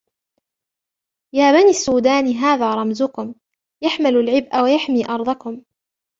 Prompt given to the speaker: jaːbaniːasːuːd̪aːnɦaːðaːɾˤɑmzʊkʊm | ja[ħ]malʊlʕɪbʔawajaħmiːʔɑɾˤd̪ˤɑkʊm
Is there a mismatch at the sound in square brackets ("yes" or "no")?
no